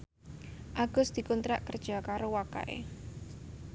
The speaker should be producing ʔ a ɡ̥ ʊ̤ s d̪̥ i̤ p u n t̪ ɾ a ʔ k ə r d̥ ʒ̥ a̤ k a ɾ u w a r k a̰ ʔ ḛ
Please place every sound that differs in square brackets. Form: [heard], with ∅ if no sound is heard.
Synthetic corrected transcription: ʔ a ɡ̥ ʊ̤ s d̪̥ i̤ [k] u n t̪ ɾ a ʔ k ə r d̥ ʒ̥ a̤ k a ɾ [o] w a [∅] k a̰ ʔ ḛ